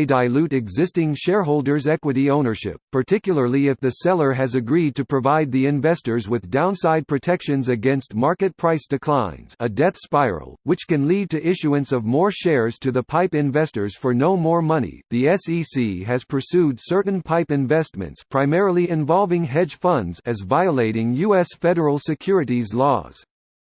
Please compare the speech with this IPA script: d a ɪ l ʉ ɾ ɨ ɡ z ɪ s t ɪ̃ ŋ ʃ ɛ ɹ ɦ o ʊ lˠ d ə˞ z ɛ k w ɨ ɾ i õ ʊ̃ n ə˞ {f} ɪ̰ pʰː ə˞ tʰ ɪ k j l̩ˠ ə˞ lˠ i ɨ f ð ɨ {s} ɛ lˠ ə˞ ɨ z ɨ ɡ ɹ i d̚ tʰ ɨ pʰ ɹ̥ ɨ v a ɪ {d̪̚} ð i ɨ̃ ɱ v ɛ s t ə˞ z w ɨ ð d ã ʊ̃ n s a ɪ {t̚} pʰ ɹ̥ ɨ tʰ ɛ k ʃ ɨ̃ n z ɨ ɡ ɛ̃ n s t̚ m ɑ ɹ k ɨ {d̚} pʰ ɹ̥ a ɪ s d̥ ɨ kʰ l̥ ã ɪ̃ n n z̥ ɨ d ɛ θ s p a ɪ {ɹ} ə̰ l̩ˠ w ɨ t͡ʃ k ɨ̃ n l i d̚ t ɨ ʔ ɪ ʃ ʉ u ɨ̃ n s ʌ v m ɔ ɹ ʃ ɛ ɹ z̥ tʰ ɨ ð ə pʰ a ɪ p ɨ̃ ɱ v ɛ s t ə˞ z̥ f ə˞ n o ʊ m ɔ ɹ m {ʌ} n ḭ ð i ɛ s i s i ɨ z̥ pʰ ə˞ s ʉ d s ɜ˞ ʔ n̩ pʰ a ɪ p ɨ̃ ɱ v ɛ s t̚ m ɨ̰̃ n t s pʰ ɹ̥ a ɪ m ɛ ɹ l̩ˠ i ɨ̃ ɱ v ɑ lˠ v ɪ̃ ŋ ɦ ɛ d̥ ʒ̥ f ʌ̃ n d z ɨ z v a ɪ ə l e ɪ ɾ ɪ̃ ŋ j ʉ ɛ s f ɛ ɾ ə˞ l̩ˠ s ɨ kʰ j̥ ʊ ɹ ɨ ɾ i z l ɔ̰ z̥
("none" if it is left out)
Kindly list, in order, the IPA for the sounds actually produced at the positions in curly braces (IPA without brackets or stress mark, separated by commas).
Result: ʃ, s, d̪̚, d̚, t̚, ɹ, ʌ